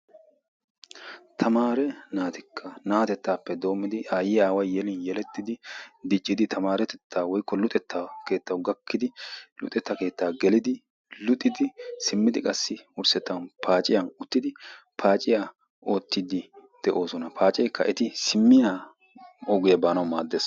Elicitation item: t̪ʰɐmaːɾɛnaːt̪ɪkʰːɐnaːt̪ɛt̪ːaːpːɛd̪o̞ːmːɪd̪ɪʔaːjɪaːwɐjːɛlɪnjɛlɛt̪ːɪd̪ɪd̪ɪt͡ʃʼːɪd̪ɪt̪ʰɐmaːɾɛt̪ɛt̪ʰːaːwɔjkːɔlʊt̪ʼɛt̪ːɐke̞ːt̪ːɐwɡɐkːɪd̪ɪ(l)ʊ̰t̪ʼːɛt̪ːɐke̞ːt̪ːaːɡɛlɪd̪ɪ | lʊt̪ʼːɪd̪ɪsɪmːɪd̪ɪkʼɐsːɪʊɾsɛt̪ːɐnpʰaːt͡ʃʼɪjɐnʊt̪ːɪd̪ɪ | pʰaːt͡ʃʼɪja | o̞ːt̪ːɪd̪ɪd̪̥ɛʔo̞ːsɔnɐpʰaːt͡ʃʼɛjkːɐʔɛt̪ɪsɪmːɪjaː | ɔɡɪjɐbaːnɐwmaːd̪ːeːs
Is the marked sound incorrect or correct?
correct